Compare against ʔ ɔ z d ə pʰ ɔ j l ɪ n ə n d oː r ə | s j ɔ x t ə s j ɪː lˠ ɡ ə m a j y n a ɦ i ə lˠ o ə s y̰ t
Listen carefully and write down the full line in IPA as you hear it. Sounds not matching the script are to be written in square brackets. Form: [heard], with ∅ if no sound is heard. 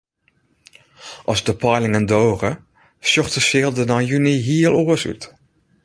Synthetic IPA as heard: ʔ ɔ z d ə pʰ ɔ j l ɪ [ŋ] ə n d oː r ə | s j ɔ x t ə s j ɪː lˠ [d] ə [n] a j y n [i] ɦ i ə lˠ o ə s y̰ t